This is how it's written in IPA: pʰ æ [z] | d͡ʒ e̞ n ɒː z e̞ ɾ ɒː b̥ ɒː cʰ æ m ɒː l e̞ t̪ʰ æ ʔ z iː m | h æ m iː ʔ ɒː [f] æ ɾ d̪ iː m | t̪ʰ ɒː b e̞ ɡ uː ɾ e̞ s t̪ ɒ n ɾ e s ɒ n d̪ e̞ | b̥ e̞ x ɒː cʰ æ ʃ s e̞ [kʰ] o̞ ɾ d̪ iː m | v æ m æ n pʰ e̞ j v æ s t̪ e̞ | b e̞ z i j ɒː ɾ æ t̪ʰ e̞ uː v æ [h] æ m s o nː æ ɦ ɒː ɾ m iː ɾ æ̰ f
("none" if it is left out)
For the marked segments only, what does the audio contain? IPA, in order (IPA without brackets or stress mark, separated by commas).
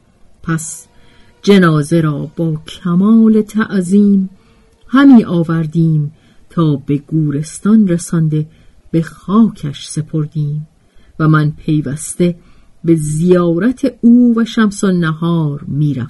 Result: s, v, pʰ, ʃ